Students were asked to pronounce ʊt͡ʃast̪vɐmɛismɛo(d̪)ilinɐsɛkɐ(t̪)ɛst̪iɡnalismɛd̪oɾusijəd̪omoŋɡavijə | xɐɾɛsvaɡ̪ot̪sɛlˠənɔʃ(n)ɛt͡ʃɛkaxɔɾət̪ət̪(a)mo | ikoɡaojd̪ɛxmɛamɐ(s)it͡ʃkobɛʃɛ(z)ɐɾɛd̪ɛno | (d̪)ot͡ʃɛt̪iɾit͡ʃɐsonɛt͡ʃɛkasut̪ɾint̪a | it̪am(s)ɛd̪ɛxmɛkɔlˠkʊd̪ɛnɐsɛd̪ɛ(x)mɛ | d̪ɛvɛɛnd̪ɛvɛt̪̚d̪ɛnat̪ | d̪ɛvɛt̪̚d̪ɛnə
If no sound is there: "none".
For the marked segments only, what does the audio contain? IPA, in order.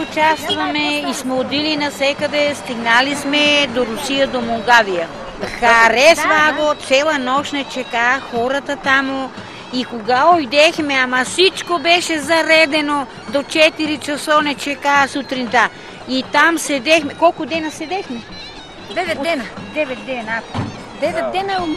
d̪, d̪, n, a, s, z, d̪, s, x

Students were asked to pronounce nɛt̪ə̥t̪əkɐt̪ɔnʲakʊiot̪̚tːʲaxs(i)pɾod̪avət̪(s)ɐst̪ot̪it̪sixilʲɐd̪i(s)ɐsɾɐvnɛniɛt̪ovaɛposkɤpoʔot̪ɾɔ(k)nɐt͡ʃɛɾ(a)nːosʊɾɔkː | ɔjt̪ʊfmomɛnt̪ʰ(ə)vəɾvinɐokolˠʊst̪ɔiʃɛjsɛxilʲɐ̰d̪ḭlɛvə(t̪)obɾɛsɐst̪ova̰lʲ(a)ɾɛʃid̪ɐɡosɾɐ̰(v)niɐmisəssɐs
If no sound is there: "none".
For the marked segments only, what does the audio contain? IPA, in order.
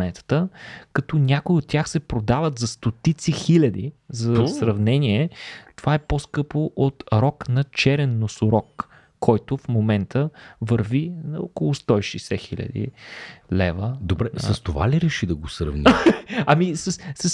ɛ, z, z, k, ɛ, ə, d̪, i, v

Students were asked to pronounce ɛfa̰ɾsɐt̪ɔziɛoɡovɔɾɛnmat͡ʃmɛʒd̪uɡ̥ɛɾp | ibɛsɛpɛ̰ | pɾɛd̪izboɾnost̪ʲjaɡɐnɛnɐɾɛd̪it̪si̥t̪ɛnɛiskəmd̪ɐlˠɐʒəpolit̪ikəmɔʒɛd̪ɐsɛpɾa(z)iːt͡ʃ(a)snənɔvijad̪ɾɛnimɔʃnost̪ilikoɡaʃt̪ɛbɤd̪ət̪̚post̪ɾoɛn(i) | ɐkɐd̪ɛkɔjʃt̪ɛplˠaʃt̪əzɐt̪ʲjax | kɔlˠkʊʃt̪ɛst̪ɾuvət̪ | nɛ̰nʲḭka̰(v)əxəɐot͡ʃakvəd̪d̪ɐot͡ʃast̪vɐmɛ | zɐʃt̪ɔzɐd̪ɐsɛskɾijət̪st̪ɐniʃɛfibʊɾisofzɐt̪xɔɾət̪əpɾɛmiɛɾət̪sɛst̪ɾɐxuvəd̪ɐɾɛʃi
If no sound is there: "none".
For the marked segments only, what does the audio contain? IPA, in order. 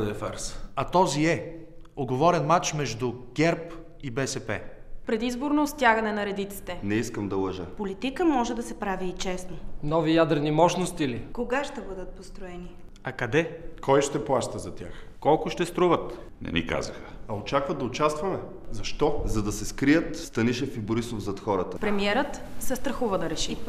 v, ɛ, i, z

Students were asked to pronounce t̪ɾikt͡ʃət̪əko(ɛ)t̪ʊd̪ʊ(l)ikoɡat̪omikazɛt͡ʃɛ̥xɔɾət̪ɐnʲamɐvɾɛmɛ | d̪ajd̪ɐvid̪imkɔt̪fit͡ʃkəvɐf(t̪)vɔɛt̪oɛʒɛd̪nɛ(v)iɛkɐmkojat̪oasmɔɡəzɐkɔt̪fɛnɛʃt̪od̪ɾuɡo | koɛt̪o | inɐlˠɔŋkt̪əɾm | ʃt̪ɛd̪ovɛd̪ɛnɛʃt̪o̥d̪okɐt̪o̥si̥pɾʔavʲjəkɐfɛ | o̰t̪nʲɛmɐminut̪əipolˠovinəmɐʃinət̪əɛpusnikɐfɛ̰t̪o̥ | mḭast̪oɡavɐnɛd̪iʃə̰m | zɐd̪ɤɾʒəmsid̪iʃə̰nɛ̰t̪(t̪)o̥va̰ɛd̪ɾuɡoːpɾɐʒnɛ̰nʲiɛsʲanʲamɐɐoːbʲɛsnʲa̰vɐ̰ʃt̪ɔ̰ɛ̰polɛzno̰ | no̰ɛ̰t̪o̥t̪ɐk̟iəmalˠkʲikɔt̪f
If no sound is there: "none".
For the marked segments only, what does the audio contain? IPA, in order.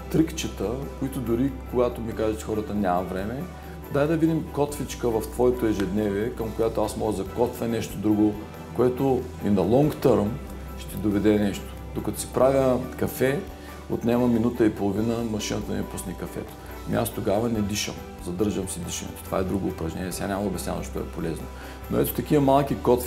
i, ɾ, t̪, v, t̪

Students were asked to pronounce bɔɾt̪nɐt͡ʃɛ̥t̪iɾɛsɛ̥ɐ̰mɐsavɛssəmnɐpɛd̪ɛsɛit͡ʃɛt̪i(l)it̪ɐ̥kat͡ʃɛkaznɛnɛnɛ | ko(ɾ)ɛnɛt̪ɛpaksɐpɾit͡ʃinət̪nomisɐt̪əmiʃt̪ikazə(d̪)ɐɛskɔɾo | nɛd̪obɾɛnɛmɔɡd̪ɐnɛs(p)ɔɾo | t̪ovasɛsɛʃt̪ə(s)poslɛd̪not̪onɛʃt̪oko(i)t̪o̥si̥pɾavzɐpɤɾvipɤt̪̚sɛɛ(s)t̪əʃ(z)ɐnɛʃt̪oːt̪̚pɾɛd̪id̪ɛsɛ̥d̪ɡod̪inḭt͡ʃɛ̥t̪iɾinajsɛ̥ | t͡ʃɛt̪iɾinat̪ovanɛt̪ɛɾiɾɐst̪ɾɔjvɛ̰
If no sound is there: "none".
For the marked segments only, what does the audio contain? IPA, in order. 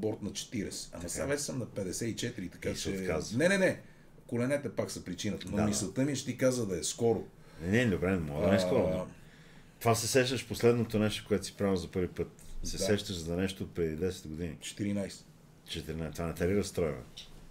ɾ, l, d̪, k, ʃ, ɛ, ʃ, z

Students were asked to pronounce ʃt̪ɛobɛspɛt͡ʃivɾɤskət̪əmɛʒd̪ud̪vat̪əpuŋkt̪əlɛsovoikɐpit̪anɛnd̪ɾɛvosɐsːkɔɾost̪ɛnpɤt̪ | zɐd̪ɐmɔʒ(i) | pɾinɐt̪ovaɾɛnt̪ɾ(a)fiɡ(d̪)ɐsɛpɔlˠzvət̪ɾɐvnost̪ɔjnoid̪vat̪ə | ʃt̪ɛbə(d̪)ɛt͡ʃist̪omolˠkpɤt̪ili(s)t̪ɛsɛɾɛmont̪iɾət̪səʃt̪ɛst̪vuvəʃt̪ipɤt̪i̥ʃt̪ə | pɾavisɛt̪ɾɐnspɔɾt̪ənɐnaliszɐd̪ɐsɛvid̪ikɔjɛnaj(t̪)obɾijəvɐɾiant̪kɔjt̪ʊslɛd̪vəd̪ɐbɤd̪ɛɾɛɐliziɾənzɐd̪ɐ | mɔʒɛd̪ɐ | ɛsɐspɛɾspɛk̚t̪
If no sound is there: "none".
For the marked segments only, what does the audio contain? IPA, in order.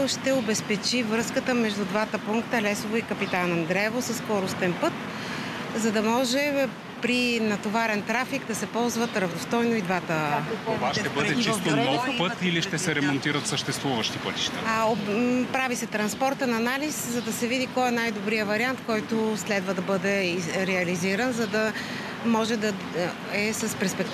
ɛ, a, d̪, d̪, ʃ, d̪

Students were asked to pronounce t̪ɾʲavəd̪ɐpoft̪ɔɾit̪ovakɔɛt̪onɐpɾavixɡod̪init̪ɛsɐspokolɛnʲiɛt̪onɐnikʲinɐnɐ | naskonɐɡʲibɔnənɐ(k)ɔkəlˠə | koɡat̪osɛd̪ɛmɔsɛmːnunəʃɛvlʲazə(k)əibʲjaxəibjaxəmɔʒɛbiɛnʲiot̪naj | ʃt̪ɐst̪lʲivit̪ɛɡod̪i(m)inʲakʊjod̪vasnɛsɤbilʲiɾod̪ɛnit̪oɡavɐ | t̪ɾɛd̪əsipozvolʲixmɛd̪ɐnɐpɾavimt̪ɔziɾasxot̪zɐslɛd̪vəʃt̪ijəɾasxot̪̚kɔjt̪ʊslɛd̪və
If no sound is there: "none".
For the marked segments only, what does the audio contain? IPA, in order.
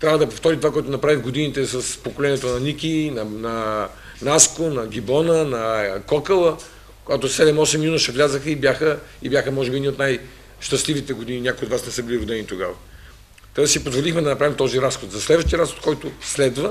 k, x, n

